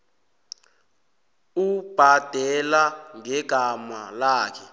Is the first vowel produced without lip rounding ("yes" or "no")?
no